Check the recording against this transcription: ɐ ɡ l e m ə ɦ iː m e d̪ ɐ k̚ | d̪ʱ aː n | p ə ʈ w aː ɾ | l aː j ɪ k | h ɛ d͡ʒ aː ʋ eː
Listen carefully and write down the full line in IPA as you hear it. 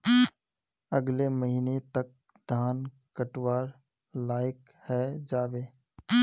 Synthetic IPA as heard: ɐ ɡ l e m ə ɦ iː n e t̪ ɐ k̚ | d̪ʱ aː n | k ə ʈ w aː ɾ | l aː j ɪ k | h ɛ d͡ʒ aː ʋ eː